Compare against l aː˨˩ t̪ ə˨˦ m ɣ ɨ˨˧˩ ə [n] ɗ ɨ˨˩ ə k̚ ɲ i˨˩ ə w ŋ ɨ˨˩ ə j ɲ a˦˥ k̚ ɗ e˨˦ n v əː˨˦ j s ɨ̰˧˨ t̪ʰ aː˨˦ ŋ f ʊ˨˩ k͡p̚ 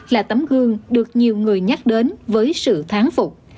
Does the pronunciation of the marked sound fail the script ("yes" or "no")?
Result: yes